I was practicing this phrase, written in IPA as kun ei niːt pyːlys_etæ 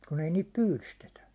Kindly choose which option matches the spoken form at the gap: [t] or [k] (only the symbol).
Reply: t